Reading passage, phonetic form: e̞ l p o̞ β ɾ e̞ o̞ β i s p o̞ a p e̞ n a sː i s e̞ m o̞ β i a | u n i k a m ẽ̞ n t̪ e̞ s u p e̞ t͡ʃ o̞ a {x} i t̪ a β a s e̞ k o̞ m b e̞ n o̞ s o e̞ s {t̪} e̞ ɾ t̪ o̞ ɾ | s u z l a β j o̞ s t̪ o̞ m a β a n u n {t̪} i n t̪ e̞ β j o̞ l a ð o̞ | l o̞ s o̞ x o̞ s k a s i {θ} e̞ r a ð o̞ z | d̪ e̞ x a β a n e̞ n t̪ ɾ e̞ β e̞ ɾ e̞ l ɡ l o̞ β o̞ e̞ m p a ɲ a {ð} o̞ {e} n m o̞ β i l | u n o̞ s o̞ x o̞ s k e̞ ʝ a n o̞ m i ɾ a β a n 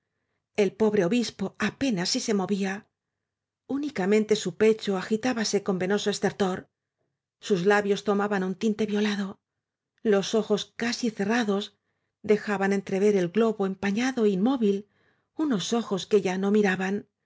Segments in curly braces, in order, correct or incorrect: correct, correct, correct, correct, correct, incorrect: i

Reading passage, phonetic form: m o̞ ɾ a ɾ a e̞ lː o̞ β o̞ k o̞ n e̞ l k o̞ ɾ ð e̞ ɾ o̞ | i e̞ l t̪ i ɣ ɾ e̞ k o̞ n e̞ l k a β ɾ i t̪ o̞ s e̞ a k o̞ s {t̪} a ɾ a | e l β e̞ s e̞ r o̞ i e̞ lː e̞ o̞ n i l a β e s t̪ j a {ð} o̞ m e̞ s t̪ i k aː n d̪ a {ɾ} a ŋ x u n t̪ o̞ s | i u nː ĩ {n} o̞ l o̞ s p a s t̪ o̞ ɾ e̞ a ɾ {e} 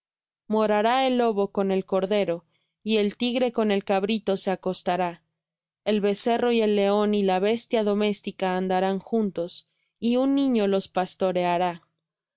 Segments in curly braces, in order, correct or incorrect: correct, correct, correct, incorrect: ɲ, incorrect: a

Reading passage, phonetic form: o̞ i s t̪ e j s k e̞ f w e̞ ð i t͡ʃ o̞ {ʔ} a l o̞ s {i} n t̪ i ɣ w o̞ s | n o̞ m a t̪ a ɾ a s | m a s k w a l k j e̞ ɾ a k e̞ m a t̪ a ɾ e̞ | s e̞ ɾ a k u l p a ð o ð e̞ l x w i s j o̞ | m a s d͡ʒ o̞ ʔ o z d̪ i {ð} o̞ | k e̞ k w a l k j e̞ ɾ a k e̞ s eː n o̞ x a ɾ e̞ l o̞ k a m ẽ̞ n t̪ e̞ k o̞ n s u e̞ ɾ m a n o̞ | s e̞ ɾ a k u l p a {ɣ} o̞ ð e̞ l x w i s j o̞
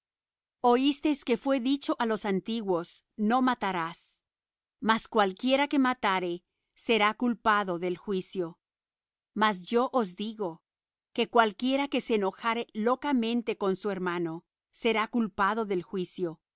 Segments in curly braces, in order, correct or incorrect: correct, incorrect: a, incorrect: ɣ, incorrect: ð

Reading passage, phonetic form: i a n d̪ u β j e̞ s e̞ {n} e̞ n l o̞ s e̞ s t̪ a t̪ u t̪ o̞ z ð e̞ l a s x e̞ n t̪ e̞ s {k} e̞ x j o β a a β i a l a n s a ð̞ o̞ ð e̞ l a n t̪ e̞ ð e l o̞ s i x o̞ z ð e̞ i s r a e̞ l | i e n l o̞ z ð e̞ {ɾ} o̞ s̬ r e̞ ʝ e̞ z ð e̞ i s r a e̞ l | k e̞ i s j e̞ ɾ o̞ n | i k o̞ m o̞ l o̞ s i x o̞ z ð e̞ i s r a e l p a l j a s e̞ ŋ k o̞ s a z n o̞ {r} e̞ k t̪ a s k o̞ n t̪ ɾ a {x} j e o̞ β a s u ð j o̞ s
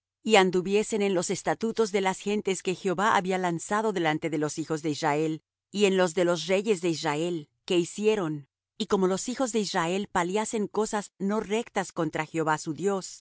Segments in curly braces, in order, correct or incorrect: correct, correct, incorrect: l, correct, correct

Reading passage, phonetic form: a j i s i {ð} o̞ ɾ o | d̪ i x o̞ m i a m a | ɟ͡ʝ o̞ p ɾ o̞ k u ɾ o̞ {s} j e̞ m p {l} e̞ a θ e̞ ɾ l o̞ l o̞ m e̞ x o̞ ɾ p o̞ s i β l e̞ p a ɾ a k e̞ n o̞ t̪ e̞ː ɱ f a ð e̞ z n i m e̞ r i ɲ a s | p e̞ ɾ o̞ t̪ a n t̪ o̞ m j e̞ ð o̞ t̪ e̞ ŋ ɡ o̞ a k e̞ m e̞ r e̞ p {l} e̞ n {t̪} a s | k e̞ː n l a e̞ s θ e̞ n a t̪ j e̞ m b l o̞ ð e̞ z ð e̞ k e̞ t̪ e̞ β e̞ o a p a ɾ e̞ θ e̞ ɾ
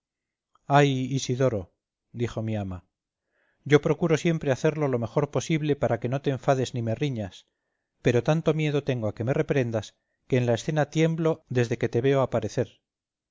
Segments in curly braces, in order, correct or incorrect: correct, correct, incorrect: ɾ, incorrect: ɾ, incorrect: d̪

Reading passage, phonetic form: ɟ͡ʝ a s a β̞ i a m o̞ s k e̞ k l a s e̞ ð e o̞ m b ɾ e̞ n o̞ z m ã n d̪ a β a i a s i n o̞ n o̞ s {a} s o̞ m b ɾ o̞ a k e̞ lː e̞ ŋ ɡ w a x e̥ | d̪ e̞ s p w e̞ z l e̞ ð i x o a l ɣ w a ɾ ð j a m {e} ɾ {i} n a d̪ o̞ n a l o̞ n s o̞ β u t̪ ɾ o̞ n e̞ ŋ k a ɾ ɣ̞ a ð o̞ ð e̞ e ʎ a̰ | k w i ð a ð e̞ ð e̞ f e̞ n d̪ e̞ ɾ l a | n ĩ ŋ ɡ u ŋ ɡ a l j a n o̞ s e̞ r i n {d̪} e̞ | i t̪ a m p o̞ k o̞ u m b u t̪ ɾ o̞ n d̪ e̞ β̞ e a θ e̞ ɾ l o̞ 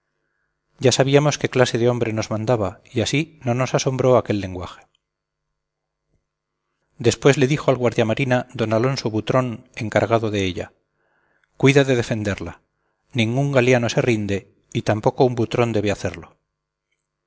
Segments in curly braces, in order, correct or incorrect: correct, incorrect: a, correct, correct

